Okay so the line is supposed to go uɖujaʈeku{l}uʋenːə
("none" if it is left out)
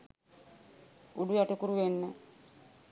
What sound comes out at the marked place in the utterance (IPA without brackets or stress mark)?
ɾ